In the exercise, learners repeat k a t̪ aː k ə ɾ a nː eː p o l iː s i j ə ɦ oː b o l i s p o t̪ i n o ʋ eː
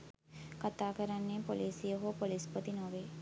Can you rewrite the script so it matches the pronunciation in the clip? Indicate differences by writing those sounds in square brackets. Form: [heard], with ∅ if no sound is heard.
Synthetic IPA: k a t̪ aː k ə ɾ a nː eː p o l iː s i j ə ɦ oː [p] o l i s p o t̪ i n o ʋ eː